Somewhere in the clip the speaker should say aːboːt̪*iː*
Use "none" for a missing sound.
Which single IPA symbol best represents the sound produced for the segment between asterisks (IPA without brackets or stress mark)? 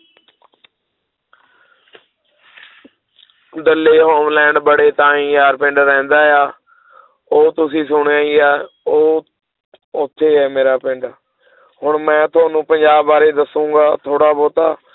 aː